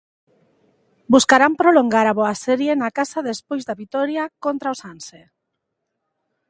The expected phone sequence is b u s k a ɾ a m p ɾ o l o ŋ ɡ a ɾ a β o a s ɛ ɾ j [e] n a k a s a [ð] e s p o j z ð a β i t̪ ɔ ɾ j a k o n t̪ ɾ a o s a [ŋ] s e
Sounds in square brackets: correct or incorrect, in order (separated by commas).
correct, correct, incorrect